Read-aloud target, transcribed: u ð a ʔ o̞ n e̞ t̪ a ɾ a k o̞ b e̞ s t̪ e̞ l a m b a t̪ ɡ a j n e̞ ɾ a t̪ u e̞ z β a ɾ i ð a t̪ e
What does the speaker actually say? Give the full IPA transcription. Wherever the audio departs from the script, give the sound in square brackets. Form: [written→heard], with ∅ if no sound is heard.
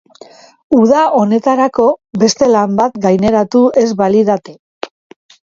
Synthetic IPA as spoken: u ð a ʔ o̞ n e̞ t̪ a ɾ a k o̞ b e̞ s t̪ e̞ l a m b a t̪ ɡ a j n e̞ ɾ a t̪ u e̞ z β a [ɾ→l] i ð a t̪ e